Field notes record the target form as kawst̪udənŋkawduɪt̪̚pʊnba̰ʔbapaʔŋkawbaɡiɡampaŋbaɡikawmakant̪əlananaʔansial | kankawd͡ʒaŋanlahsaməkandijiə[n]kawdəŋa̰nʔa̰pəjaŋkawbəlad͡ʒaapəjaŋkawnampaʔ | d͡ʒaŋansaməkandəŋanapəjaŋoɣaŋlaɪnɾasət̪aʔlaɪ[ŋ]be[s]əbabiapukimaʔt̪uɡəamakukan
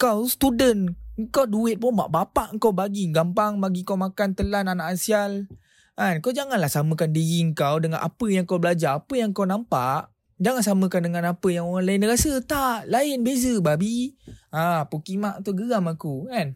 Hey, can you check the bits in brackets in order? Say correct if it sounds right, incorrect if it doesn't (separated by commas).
incorrect, incorrect, incorrect